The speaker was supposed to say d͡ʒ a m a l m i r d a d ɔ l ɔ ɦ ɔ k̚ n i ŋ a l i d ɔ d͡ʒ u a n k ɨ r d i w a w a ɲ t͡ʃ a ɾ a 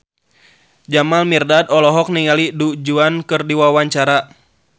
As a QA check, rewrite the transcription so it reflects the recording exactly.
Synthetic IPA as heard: d͡ʒ a m a l m i r d a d ɔ l ɔ ɦ ɔ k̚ n i ŋ a l i d u d͡ʒ u a n k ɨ r d i w a w a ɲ t͡ʃ a ɾ a